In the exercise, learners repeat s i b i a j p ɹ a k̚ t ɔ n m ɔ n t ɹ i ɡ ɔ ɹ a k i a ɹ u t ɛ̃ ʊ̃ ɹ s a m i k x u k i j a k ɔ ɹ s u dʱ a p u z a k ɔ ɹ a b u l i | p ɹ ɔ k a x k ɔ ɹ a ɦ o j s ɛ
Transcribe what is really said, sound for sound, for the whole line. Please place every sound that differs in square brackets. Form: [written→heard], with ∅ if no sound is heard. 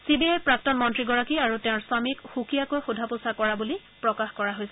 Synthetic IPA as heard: s i b i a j p ɹ a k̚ t ɔ n m ɔ n t ɹ i ɡ ɔ ɹ a k i a ɹ u t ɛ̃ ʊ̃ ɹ s a m i k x u k i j a k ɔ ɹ [s→x] u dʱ a p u [z→s] a k ɔ ɹ a b u l i | p ɹ ɔ k a x k ɔ ɹ a ɦ o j s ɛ

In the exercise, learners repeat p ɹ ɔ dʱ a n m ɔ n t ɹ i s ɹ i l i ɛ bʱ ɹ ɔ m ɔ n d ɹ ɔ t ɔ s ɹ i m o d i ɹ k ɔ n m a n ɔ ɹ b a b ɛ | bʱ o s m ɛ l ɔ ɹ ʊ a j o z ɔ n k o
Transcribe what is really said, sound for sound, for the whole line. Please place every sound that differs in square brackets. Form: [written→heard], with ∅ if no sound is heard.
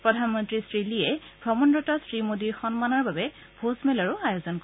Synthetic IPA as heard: p ɹ ɔ dʱ a n m ɔ n t ɹ i s ɹ i l i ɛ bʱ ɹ ɔ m ɔ n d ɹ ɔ t ɔ s ɹ i m o d i ɹ [k→x] ɔ n m a n ɔ ɹ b a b ɛ | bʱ o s m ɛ l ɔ ɹ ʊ a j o z ɔ n k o

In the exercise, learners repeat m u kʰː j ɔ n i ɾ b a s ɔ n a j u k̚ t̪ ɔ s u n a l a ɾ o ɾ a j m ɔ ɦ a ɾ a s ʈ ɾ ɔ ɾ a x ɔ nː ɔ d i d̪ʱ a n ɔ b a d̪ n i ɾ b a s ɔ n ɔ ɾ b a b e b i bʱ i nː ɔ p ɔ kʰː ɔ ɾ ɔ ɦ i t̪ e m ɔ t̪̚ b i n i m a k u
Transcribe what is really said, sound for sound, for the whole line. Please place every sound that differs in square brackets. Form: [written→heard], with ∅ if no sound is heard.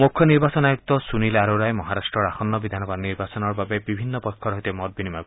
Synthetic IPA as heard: m u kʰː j ɔ n i ɾ b a s ɔ n a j u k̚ t̪ ɔ s u n [a→i] l a ɾ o ɾ a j m ɔ ɦ a ɾ a s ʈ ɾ ɔ ɾ a x ɔ nː ɔ [d→b] i d̪ʱ a n ɔ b a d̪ n i ɾ b a s ɔ n ɔ ɾ b a b e b i bʱ i nː ɔ p ɔ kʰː ɔ ɾ ɔ ɦ i t̪ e m ɔ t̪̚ b i n i m a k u

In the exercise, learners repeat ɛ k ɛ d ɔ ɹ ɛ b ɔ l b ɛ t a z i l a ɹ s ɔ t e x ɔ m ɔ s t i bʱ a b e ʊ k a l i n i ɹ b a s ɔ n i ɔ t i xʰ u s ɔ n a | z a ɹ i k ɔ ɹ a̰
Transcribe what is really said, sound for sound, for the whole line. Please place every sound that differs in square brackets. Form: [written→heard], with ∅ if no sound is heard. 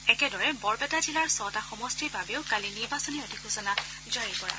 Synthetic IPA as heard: ɛ k ɛ d ɔ ɹ ɛ b ɔ [l→ɹ] b ɛ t a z i l a ɹ s ɔ t [e→a] x ɔ m ɔ s t i bʱ a b e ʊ k a l i n i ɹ b a s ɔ n i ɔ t i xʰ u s ɔ n a | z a ɹ i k ɔ ɹ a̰

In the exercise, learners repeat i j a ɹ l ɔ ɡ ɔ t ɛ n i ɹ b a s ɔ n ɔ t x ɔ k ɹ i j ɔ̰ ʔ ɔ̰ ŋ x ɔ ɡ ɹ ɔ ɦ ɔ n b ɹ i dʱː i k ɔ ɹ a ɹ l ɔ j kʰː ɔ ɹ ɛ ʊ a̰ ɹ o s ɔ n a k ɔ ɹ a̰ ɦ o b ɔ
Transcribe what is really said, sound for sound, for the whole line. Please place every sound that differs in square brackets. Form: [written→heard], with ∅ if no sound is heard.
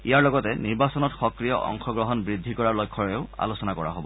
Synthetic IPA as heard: i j a ɹ l ɔ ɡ ɔ t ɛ n i ɹ b a s ɔ n ɔ t x ɔ k ɹ i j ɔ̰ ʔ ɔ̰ ŋ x ɔ ɡ ɹ ɔ ɦ ɔ n b ɹ i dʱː i k ɔ ɹ a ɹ l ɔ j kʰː ɔ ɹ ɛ ʊ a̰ [ɹ→l] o s ɔ n a k ɔ ɹ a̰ ɦ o b ɔ

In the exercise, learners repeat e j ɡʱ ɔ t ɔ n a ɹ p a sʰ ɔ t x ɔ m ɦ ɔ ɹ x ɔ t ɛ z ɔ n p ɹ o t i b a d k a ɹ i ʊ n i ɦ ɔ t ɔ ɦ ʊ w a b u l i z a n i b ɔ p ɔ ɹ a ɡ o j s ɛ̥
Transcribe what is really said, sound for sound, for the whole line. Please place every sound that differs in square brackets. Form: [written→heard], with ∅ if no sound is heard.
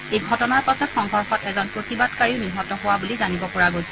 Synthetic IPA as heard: e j ɡʱ ɔ t ɔ n a ɹ p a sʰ ɔ t x ɔ [m→ŋ] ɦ ɔ ɹ x ɔ t ɛ z ɔ n p ɹ o t i b a d k a ɹ i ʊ n i ɦ ɔ t ɔ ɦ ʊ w a b u l i z a n i b ɔ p ɔ ɹ a ɡ o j s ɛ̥

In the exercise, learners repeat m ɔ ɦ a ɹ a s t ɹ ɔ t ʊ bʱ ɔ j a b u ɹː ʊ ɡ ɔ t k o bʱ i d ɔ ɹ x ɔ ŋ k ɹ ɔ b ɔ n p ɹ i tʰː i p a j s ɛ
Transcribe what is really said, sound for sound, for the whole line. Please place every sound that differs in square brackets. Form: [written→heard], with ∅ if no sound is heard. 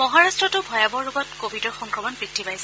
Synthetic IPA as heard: m ɔ ɦ a ɹ a s t ɹ ɔ t ʊ bʱ ɔ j a b [u→ɔ] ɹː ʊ ɡ ɔ t k o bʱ i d ɔ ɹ x ɔ ŋ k ɹ ɔ [b→m] ɔ n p ɹ i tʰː i p a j s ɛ

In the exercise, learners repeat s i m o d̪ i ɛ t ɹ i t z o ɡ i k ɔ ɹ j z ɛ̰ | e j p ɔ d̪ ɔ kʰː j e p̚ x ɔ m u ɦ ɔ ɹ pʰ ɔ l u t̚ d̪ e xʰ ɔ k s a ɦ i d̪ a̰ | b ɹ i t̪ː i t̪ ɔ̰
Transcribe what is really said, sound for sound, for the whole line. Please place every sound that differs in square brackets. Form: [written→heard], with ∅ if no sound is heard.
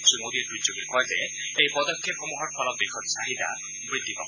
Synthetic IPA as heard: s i m o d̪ i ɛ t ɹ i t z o ɡ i k ɔ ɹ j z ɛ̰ | e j p ɔ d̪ ɔ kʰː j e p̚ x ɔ m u ɦ ɔ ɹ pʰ ɔ l [u→ɔ] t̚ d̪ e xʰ ɔ [k→t] s a ɦ i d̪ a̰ | b ɹ i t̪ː i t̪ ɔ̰

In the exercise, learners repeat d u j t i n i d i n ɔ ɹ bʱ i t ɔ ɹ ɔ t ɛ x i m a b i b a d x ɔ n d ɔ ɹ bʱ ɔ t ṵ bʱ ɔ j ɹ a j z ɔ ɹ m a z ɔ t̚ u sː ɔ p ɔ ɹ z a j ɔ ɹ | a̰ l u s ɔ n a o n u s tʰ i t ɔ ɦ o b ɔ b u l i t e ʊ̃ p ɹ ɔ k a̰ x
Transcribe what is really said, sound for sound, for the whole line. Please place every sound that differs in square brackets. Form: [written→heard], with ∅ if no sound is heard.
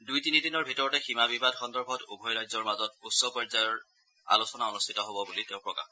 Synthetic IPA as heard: d u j t i n i d i n ɔ ɹ bʱ i t ɔ ɹ ɔ t ɛ x i m a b i b a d x ɔ n d ɔ ɹ bʱ ɔ t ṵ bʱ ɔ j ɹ a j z ɔ ɹ m a z ɔ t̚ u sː ɔ p ɔ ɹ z a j ɔ ɹ | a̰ l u s ɔ n a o n u s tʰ i t ɔ ɦ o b ɔ b u l i t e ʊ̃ p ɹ ɔ k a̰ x

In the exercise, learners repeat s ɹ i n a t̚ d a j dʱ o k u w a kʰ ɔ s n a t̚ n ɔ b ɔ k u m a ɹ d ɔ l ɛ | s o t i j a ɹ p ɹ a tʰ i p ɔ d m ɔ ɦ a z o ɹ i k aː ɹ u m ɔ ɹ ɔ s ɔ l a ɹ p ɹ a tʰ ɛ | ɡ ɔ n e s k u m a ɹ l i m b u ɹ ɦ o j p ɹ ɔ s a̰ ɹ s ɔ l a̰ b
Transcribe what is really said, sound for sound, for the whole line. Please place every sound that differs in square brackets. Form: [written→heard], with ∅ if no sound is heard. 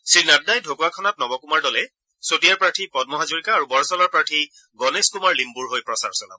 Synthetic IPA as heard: s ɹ i n a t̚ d a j dʱ o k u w a kʰ ɔ [s→∅] n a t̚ n ɔ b ɔ k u m a ɹ d ɔ l ɛ | s o t i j a ɹ p ɹ a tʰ i p ɔ d m ɔ ɦ a z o ɹ i k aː ɹ u [m→b] ɔ ɹ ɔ s ɔ l a ɹ p ɹ a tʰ [ɛ→i] | ɡ ɔ n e s k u m a ɹ l i m b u ɹ ɦ o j p ɹ ɔ s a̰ ɹ s ɔ l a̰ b

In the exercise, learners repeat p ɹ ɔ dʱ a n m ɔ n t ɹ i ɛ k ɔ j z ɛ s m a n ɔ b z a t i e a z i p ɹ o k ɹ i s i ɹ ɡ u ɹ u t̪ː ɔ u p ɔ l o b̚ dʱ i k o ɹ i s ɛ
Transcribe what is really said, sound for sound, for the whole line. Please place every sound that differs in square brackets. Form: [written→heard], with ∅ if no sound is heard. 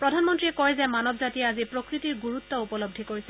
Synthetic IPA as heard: p ɹ ɔ dʱ a n m ɔ n t ɹ i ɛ k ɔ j z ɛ [s→∅] m a n ɔ b z a t i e a z i p ɹ o k ɹ i [s→t] i ɹ ɡ u ɹ u t̪ː ɔ u p ɔ l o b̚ dʱ i k o ɹ i s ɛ

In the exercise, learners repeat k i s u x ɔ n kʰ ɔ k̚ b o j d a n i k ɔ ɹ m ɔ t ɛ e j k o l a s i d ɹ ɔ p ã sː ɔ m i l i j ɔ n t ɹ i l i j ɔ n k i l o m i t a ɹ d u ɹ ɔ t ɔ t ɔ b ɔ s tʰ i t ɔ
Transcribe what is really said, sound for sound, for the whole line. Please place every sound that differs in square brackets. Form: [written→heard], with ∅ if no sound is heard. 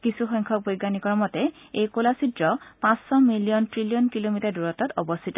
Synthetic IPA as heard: k i s u x ɔ [n→ŋ] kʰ ɔ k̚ b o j [d→ɡ] a n i k ɔ ɹ m ɔ t ɛ e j k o l a s i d ɹ ɔ p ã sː ɔ m i l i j ɔ n t ɹ i l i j ɔ n k i l o m i t a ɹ d u ɹ ɔ t ɔ t ɔ b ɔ s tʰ i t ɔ

